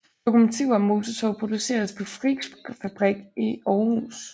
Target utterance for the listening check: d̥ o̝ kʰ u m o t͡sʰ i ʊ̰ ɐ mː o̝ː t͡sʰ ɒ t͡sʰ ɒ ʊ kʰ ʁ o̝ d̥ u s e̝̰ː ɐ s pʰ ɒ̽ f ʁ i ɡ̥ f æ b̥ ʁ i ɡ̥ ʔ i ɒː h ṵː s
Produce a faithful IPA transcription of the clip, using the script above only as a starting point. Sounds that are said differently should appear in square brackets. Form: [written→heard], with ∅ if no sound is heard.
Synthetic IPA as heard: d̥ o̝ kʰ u m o t͡sʰ i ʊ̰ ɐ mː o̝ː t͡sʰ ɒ t͡sʰ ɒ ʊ [kʰ→pʰ] ʁ o̝ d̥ u s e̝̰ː ɐ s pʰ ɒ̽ f ʁ i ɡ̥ f æ b̥ ʁ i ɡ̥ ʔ i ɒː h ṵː s